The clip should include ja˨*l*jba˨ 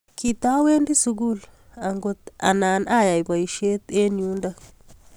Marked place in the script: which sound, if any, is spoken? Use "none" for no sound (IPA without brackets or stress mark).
none